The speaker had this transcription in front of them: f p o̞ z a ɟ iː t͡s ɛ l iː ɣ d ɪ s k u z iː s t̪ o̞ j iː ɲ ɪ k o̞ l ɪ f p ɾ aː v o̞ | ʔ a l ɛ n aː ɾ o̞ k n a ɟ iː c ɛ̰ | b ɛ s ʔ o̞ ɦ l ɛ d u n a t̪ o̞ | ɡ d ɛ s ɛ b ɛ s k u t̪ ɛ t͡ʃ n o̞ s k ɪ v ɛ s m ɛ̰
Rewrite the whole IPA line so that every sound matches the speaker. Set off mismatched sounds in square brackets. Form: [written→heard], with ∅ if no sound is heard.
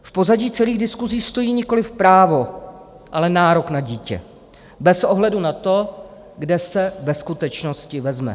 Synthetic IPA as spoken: f p o̞ z a ɟ iː t͡s ɛ l iː ɣ d ɪ s k u z iː s t̪ o̞ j iː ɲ ɪ k o̞ l ɪ f p ɾ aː v o̞ | ʔ a l ɛ n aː ɾ o̞ k n a ɟ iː c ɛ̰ | b ɛ s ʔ o̞ ɦ l ɛ d u n a t̪ o̞ | ɡ d ɛ s ɛ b ɛ s k u t̪ ɛ t͡ʃ n o̞ s [k→c] ɪ v ɛ [s→z] m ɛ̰

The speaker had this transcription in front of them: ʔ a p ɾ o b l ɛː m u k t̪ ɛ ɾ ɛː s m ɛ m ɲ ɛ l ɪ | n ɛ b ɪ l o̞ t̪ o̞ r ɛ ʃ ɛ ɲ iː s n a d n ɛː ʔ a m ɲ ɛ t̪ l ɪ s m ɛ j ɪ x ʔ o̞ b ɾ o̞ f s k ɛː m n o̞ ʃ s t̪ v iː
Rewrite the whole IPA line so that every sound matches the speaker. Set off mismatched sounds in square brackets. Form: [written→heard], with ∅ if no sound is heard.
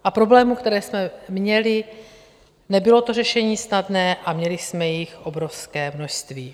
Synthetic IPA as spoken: ʔ a p ɾ o b l ɛː m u k t̪ ɛ ɾ ɛː s m ɛ m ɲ ɛ l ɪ | n ɛ b ɪ l o̞ t̪ o̞ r ɛ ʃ ɛ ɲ iː s n a d n ɛː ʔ a m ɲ ɛ [t̪→∅] l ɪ s m ɛ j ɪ x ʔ o̞ b ɾ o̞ f s k ɛː m n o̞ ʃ s t̪ v iː

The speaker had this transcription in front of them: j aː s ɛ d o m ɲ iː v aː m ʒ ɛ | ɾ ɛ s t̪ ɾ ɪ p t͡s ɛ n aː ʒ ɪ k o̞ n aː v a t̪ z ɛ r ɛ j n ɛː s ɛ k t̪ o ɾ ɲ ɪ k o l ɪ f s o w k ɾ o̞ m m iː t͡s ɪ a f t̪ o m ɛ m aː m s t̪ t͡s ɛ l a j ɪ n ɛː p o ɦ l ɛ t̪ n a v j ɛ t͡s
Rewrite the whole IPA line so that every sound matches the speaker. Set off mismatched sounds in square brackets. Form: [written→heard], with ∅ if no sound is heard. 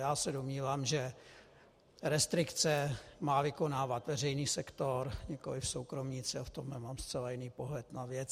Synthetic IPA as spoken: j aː s ɛ d o m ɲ iː v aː m ʒ ɛ | ɾ ɛ s t̪ ɾ ɪ [p→k] t͡s ɛ [n→m] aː [ʒ→v] ɪ k o̞ n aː v a t̪ [z→v] ɛ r ɛ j n [ɛː→iː] s ɛ k t̪ o ɾ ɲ ɪ k o l ɪ f s o w k ɾ o̞ m [m→ɲ] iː t͡s ɪ a f t̪ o m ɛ m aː m s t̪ t͡s ɛ l a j ɪ n [ɛː→iː] p o ɦ l ɛ t̪ n a v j ɛ t͡s

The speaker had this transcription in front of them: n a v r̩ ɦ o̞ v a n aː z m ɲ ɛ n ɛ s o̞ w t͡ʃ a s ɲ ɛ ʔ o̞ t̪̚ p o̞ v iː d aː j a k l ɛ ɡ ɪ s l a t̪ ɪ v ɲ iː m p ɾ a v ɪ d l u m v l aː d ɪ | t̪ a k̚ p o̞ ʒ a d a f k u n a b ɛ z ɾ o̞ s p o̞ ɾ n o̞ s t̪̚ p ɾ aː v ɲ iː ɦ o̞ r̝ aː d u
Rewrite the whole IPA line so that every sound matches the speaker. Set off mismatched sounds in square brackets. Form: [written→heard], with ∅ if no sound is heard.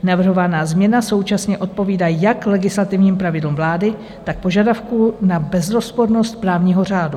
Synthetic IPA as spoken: n a v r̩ ɦ o̞ v a n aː z m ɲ ɛ n [ɛ→a] s o̞ w t͡ʃ a s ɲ ɛ ʔ o̞ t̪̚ p o̞ v iː d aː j a k l ɛ ɡ ɪ s l a t̪ ɪ v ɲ iː m p ɾ a v ɪ d l u m v l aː d ɪ | t̪ a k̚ p o̞ ʒ a d a f k u n a b ɛ z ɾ o̞ s p o̞ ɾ n o̞ s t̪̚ p ɾ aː v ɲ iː ɦ o̞ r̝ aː d u

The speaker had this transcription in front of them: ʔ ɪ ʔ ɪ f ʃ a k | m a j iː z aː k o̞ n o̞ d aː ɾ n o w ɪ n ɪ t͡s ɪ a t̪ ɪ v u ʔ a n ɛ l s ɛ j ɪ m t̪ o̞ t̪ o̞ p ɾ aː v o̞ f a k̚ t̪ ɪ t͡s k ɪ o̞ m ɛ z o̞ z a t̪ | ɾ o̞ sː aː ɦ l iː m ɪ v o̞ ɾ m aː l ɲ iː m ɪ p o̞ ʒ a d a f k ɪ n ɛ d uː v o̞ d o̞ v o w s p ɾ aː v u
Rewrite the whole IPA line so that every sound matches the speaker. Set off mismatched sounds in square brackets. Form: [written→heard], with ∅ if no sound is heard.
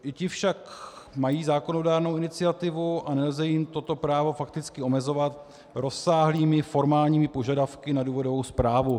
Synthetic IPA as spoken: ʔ ɪ [ʔ→c] ɪ f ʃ a k | m a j iː z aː k o̞ n o̞ d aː ɾ n o w ɪ n ɪ t͡s ɪ a t̪ ɪ v u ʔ a n ɛ l [s→z] ɛ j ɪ m t̪ o̞ t̪ o̞ p ɾ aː v o̞ f a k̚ t̪ ɪ t͡s k ɪ o̞ m ɛ z o̞ [z→v] a t̪ | ɾ o̞ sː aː ɦ l iː m ɪ [v→f] o̞ ɾ m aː l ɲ iː m ɪ p o̞ ʒ a d a f k ɪ n [ɛ→a] d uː v o̞ d o̞ v o w s p ɾ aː v u

